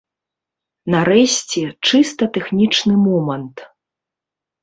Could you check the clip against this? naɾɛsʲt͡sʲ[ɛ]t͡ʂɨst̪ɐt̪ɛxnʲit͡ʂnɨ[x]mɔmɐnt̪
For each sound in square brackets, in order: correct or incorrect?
correct, incorrect: none

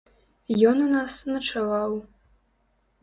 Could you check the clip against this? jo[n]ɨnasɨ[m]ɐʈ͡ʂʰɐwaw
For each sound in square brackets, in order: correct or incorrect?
correct, incorrect: n

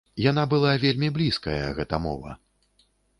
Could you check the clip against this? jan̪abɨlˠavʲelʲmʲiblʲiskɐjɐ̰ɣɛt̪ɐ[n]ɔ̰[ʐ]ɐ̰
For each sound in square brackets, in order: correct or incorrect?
incorrect: m, incorrect: v

